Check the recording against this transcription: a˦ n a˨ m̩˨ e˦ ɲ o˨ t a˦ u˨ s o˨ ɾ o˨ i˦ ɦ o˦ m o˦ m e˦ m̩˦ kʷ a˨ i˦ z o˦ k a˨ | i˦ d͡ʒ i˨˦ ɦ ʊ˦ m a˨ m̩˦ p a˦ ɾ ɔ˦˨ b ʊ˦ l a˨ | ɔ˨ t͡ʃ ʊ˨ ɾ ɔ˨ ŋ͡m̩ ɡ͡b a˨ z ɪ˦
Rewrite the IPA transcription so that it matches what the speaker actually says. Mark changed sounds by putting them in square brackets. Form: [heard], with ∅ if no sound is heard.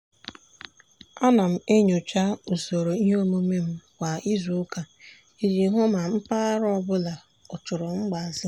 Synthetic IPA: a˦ n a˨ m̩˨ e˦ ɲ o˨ [t͡ʃ] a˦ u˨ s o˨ ɾ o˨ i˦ ɦ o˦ m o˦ m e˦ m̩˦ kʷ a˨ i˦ z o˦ k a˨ | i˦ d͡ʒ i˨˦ ɦ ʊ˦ m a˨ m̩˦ p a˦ ɾ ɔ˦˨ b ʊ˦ l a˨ | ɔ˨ t͡ʃ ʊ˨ ɾ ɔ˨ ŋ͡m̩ ɡ͡b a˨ z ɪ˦